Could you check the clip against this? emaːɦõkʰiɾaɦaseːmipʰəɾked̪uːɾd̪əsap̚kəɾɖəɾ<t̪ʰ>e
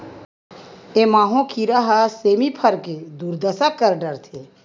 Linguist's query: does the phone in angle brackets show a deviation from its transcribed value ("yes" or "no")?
no